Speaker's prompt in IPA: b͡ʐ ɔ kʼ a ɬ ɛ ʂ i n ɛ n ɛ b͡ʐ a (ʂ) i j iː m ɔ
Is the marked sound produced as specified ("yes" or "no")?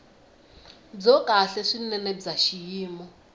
no